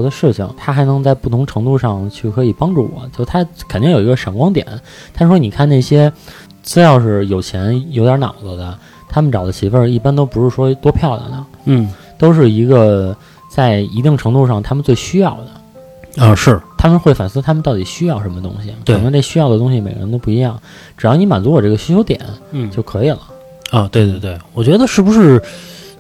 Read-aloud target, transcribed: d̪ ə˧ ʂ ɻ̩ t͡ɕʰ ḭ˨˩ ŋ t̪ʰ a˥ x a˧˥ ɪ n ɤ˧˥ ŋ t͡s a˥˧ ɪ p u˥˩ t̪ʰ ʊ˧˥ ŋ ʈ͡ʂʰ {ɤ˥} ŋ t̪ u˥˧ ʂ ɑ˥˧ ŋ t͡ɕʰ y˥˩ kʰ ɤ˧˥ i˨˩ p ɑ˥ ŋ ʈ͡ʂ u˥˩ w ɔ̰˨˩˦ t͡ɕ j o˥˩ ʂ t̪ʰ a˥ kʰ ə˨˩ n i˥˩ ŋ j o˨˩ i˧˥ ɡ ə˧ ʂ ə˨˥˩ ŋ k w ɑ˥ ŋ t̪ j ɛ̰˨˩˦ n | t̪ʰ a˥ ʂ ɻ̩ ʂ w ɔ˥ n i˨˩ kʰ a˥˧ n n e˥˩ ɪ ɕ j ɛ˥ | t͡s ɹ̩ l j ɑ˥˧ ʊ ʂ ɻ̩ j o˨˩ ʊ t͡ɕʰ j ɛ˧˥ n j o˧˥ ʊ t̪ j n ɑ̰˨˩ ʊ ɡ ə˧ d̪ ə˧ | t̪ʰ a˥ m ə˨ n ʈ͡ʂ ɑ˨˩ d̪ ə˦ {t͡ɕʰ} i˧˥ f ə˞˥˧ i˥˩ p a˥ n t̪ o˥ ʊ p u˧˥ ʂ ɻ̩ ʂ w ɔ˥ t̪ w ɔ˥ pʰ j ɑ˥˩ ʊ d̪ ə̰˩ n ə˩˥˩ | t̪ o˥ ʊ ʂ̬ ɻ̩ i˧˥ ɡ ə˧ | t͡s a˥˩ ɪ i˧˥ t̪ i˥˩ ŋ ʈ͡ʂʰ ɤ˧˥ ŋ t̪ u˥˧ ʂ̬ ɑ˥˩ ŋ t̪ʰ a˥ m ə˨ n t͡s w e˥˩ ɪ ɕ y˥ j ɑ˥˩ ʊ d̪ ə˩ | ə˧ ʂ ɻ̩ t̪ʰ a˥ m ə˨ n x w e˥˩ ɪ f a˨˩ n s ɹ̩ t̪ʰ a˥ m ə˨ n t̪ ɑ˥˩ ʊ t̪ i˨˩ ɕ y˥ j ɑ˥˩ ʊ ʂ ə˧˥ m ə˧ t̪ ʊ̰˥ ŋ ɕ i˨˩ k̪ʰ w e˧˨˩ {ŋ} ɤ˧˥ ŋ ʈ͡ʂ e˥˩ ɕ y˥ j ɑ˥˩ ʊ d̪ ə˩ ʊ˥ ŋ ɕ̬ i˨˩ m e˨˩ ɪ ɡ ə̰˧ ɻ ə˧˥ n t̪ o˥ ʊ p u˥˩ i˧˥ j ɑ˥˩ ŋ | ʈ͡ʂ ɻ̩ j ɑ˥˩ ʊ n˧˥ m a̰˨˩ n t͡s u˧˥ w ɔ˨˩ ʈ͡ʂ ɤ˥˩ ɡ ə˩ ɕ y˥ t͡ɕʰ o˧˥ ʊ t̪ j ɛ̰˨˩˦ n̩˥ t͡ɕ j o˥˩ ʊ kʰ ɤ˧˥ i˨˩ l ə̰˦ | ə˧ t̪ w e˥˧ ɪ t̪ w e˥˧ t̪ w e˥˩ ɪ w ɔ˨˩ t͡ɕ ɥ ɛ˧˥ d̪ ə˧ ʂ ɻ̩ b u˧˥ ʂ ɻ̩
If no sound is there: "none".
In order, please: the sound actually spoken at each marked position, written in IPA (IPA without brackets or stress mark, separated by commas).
ɤ˧˥, t͡ɕʰ, n